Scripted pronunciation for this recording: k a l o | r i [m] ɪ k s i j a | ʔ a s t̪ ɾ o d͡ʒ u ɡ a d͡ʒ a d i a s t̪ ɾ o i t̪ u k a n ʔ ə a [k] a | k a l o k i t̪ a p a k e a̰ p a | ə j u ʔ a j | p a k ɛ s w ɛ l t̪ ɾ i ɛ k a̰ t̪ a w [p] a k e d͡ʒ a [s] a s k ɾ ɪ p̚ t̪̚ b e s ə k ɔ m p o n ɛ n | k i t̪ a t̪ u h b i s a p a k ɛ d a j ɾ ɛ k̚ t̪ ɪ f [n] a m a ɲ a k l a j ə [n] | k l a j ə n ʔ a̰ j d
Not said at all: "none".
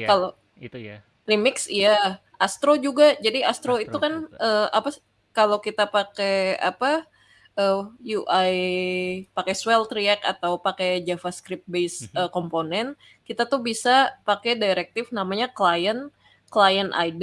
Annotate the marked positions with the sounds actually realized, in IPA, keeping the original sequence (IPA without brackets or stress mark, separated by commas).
m, p, p, f, n, n